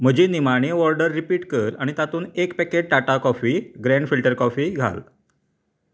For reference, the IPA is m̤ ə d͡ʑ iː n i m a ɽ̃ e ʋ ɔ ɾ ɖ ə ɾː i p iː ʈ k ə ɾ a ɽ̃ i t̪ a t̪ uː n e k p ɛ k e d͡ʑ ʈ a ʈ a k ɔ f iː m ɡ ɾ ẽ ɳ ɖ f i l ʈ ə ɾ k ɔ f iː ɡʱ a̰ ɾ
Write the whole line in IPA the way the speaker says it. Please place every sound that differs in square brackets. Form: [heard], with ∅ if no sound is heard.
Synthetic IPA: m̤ ə d͡ʑ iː n i m a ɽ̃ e ʋ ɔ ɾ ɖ ə ɾː i p iː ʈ k ə ɾ a ɽ̃ i t̪ a t̪ uː n e k p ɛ k e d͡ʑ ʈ a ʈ a k ɔ f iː [∅] ɡ ɾ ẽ ɳ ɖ f i l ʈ ə ɾ k ɔ f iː ɡʱ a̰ [l]